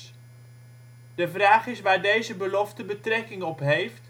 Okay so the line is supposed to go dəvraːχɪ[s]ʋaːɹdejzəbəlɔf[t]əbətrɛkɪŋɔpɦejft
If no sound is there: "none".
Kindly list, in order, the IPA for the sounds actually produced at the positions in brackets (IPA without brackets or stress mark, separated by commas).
s, t